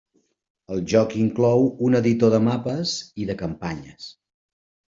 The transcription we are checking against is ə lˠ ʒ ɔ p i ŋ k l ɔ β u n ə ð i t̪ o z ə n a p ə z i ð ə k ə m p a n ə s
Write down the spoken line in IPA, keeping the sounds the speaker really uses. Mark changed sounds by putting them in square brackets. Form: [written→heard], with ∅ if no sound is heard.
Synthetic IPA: ə lˠ ʒ ɔ [p→k] i ŋ k l ɔ [β→w] u n ə ð i t̪ o [z→ð] ə [n→m] a p ə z i ð ə k ə m p a [n→ɲ] ə s